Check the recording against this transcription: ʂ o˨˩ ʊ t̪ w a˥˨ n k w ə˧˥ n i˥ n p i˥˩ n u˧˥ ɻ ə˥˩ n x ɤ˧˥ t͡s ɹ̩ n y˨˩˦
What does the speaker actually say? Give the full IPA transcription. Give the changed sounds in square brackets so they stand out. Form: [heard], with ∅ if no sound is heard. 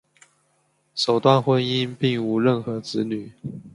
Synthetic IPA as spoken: ʂ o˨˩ ʊ t̪ w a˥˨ n [x] w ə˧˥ n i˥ n p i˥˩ [ŋ] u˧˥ ɻ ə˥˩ n x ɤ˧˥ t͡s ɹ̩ n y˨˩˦